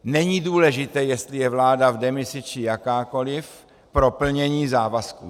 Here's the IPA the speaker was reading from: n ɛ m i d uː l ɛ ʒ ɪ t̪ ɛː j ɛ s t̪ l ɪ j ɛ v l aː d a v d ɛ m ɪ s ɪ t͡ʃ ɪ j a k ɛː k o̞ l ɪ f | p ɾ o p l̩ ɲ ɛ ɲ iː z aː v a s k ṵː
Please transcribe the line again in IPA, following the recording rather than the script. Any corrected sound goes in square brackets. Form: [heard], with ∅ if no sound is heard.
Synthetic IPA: n ɛ [ɲ] i d uː l ɛ ʒ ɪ t̪ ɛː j ɛ s t̪ l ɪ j ɛ v l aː d a v d ɛ m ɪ s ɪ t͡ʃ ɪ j a k [aː] k o̞ l ɪ f | p ɾ o p l̩ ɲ ɛ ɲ iː z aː v a s k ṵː